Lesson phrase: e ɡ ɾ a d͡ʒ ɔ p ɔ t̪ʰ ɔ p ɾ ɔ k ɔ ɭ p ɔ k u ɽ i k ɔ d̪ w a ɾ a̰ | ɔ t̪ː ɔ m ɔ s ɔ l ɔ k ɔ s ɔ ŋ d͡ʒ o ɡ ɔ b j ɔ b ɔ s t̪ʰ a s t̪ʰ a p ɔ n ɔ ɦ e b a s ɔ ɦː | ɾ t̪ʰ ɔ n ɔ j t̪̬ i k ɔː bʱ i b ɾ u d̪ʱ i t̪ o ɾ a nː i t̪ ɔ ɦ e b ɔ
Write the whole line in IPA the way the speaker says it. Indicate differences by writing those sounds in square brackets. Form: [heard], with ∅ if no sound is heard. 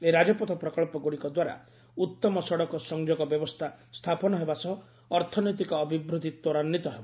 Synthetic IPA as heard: e [∅] ɾ a d͡ʒ ɔ p ɔ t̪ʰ ɔ p ɾ ɔ k ɔ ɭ p ɔ [ɡ] u ɽ i k ɔ d̪ w a ɾ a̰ | [u] t̪ː ɔ m ɔ s ɔ [ɽ] ɔ k ɔ s ɔ ŋ d͡ʒ o ɡ ɔ b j ɔ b ɔ s t̪ʰ a s t̪ʰ a p ɔ n ɔ ɦ e b a s ɔ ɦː | ɾ t̪ʰ ɔ n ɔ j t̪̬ i k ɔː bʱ i b ɾ u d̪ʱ i t̪ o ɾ a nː i t̪ ɔ ɦ e b ɔ